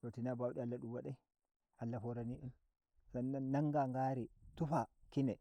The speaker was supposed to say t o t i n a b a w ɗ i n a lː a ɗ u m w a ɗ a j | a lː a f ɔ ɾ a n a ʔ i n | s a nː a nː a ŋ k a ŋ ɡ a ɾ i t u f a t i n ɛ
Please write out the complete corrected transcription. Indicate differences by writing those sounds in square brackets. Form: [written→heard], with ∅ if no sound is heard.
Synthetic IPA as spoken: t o t i n a b a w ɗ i [n→∅] a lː a ɗ u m w a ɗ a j | a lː a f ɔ ɾ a n [a→i] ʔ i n | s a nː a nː a ŋ [k→ɡ] a ŋ ɡ a ɾ i t u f a [t→k] i n ɛ

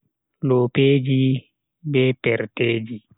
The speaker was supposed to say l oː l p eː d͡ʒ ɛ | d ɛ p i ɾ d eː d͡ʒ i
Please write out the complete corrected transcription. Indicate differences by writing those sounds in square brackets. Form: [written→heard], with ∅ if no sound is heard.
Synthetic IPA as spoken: l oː [l→∅] p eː d͡ʒ [ɛ→i] | [d→b] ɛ p [i→ɛ] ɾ [d→t] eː d͡ʒ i

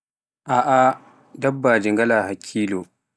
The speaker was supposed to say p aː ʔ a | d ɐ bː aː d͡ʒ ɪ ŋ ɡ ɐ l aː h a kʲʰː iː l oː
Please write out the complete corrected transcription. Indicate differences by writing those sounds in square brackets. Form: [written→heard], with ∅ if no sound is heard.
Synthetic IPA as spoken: [p→ʔ] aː ʔ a | d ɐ bː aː d͡ʒ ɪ ŋ ɡ ɐ l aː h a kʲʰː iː l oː

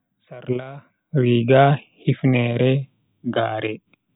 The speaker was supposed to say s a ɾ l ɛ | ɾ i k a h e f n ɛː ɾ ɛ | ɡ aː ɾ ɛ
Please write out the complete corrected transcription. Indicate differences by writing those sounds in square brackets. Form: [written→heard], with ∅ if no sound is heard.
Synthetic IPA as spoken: s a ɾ l [ɛ→a] | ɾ i [k→ɡ] a h [e→i] f n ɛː ɾ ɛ | ɡ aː ɾ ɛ

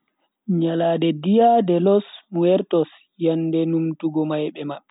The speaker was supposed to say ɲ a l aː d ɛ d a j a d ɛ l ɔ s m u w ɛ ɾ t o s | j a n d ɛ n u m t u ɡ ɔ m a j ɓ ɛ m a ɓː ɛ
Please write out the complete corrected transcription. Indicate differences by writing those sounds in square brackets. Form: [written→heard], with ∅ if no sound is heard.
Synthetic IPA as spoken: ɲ a l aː d ɛ d [a→i] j a d ɛ l ɔ s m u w ɛ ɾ t [o→ɔ] s | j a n d ɛ n u m t u ɡ ɔ m a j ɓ ɛ m a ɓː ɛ

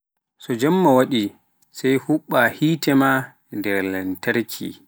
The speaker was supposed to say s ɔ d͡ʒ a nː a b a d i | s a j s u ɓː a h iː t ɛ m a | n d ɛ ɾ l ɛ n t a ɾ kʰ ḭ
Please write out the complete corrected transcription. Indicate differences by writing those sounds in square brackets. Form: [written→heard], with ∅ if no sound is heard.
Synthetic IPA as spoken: s ɔ d͡ʒ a [nː→mː] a [b→w] a [d→ɗ] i | s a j [s→h] u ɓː a h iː t ɛ m a | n d ɛ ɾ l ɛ n t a ɾ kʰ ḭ

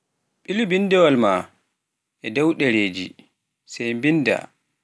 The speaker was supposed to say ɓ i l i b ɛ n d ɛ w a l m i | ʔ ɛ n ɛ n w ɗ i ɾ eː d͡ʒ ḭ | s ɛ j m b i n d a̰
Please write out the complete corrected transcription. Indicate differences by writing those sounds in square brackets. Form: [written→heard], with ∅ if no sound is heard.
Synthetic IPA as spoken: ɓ i l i b [ɛ→i] n d ɛ w a l m [i→a] | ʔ ɛ [n→d] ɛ [n→∅] w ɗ [i→ɛ] ɾ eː d͡ʒ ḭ | s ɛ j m b i n d a̰

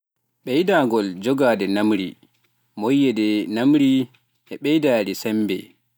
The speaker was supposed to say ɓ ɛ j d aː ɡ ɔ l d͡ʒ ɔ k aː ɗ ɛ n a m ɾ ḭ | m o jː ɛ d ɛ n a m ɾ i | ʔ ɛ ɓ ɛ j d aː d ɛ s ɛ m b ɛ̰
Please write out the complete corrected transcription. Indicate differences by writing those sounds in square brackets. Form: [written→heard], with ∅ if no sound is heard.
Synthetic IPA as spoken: ɓ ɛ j d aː ɡ ɔ l d͡ʒ ɔ [k→ɡ] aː [ɗ→d] ɛ n a m ɾ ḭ | m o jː ɛ d ɛ n a m ɾ i | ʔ ɛ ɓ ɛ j d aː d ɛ s ɛ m b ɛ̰

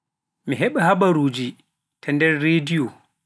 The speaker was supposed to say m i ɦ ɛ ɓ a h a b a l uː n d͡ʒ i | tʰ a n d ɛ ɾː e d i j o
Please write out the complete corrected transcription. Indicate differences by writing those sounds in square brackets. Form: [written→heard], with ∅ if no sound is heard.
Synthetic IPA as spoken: m i ɦ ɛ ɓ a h a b a [l→ɾ] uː [n→∅] d͡ʒ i | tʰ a n d ɛ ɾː e d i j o

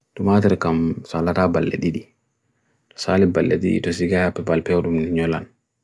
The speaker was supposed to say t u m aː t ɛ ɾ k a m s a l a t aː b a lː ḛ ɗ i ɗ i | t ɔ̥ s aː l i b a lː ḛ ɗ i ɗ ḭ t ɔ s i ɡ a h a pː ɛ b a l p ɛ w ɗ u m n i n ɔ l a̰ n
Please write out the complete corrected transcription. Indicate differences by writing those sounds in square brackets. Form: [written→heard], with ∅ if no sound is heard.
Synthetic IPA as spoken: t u m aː t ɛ ɾ k a m s a l a t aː b a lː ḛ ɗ i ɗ i | t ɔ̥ s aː l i b a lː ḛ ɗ i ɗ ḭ t ɔ s i ɡ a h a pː ɛ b a l p ɛ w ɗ u m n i [n→ɲ] ɔ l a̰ n

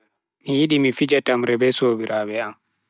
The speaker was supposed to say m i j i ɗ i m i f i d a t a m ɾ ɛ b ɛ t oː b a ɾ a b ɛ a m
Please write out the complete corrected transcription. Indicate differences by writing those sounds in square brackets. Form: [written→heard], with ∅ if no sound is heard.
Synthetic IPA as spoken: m i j i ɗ i m i f i [d→d͡ʒ] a t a m ɾ ɛ b ɛ [t→s] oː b [a→i] ɾ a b ɛ a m

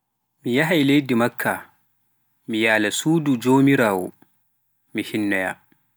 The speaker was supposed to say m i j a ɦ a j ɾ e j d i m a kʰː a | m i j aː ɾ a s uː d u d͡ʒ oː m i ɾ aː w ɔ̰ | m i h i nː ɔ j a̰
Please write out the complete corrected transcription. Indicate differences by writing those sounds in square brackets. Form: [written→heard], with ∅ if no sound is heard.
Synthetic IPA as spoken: m i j a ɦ a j [ɾ→l] e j d i m a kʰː a | m i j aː [ɾ→l] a s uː d u d͡ʒ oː m i ɾ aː w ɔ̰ | m i h i nː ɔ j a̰

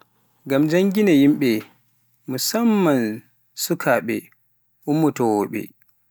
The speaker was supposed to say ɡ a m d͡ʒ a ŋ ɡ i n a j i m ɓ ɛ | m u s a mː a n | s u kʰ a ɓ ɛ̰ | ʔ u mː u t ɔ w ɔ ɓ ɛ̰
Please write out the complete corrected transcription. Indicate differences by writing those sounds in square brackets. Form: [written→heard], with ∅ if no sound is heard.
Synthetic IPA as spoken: ɡ a m d͡ʒ a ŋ ɡ i n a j i m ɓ ɛ | m u s a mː a n | s u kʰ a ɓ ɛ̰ | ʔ u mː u t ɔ w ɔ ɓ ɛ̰

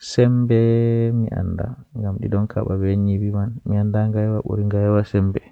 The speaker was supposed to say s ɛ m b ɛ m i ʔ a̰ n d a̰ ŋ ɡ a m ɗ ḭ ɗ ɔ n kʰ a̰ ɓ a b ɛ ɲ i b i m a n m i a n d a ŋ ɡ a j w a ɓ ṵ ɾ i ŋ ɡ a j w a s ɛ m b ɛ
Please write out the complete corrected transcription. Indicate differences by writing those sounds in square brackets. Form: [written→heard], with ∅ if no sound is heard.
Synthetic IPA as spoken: s ɛ m b ɛ m i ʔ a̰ n d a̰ ŋ ɡ a m ɗ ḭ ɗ ɔ n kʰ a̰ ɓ a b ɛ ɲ i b i m a n m i a n d a ŋ ɡ a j w a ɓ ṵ ɾ i ŋ ɡ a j w a s ɛ m b ɛ

